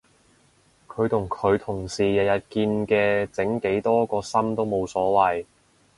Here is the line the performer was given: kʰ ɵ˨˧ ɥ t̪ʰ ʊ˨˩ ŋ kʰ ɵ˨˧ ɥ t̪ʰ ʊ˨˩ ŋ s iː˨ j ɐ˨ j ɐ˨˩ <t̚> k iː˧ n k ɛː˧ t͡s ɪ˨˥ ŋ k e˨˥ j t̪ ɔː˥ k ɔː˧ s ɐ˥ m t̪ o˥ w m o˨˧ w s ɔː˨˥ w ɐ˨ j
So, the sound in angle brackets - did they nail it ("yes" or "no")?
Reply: yes